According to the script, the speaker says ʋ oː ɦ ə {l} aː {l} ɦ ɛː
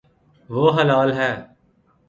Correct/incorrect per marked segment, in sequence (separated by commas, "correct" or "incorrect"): correct, correct